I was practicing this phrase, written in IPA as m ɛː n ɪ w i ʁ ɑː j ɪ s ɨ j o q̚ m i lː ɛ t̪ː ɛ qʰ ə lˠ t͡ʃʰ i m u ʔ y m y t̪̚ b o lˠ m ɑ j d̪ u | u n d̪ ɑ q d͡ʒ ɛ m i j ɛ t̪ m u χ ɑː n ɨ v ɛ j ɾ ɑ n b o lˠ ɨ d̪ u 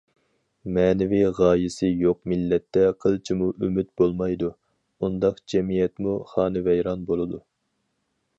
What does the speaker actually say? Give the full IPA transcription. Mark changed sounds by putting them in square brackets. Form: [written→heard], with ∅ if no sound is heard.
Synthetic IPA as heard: m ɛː n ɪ [w→v] i ʁ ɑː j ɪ s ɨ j o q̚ m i lː ɛ t̪ː ɛ qʰ ə lˠ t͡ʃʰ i m u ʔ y m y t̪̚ b o lˠ m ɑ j d̪ u | u n d̪ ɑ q d͡ʒ ɛ m i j ɛ t̪ m u χ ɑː n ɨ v ɛ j ɾ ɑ n b o lˠ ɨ d̪ u